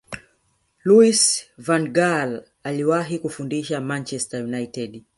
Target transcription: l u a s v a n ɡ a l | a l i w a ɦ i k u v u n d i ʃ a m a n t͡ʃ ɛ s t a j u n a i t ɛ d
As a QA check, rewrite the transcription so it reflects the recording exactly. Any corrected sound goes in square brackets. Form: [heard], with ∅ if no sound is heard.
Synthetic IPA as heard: l u [i] s v a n ɡ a l | a l i w a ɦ i k u [f] u n d i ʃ a m a n t͡ʃ ɛ s t a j u n a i t ɛ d